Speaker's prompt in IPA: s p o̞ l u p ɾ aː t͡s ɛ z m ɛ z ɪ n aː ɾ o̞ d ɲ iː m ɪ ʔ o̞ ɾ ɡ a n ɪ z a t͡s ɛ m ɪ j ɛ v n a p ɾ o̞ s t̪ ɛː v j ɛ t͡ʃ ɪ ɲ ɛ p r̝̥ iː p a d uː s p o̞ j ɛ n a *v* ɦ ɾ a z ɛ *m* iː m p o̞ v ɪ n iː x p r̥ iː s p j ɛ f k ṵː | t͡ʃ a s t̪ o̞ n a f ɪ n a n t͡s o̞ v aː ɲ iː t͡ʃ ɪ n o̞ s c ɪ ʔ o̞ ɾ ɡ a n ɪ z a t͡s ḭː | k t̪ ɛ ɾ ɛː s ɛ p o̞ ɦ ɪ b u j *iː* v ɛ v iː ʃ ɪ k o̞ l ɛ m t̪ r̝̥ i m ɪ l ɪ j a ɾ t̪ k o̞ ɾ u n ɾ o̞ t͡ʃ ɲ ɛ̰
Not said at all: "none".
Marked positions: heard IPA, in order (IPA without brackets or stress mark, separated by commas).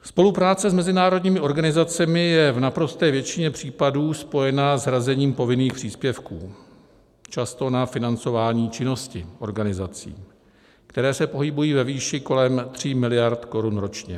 z, ɲ, iː